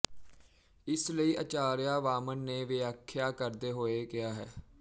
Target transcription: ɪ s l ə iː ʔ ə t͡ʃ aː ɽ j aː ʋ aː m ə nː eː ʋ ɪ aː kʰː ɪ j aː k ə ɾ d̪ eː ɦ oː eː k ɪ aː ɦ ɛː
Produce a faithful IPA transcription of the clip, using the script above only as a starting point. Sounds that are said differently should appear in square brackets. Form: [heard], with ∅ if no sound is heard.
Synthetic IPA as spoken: ɪ s l ə iː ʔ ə t͡ʃ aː [ɾ] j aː ʋ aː m ə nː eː ʋ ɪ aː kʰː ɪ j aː k ə ɾ d̪ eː ɦ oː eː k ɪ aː ɦ ɛː